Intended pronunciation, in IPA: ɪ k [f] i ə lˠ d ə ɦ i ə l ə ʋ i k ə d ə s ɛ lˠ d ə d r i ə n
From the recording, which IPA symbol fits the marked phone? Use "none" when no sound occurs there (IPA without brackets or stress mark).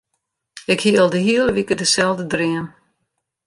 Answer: h